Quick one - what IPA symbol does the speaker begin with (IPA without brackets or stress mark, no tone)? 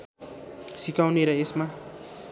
s